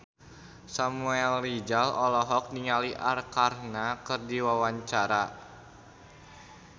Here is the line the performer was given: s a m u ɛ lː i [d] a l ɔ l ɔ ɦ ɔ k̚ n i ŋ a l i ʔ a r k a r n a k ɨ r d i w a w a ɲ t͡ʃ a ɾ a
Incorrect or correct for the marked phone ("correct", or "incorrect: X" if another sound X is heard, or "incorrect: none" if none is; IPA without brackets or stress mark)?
incorrect: d͡ʒ